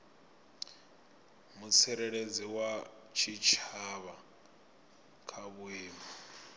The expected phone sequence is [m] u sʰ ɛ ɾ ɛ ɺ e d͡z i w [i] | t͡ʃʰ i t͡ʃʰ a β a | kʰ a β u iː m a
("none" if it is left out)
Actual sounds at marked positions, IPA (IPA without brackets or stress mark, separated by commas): m, a